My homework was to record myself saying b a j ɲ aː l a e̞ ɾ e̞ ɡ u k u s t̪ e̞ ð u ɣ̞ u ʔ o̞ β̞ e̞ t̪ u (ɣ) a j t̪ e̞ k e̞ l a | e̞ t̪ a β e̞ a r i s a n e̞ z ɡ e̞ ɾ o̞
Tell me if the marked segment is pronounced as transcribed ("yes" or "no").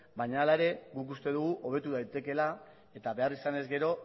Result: no